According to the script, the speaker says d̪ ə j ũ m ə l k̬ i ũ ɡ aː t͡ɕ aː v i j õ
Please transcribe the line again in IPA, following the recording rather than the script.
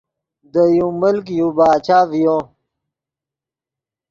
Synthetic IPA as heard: d̪ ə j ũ m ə l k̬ j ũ b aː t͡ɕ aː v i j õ